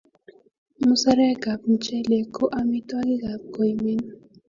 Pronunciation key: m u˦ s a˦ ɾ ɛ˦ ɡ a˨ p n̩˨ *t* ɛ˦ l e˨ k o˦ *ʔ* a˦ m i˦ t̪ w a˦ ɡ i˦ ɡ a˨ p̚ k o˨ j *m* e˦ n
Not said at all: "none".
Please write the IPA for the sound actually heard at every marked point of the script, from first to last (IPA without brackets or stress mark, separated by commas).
t͡ʃ, ʔ, m